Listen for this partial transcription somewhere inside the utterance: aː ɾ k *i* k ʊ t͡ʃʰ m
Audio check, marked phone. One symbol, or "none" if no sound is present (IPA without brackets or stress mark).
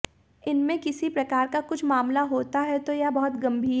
a